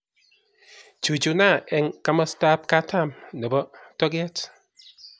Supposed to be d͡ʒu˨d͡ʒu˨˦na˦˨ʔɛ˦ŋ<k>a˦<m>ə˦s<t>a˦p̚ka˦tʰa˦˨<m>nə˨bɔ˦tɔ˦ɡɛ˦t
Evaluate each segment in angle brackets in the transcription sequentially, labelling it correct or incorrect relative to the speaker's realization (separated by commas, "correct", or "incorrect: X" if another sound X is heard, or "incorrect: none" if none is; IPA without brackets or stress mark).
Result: correct, correct, correct, correct